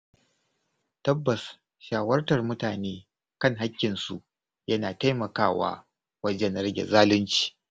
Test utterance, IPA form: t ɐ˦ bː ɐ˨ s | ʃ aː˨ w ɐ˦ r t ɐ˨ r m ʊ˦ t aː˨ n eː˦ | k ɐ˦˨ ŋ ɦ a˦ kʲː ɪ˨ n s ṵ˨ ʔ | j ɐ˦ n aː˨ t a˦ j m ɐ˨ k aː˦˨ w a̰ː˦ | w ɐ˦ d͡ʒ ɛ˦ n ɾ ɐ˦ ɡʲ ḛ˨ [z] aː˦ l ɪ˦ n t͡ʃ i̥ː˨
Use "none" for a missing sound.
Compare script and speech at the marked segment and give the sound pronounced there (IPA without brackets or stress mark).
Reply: z